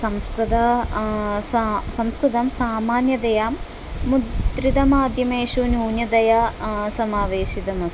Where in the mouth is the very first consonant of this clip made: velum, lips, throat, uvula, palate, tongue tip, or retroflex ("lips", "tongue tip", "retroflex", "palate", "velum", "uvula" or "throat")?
tongue tip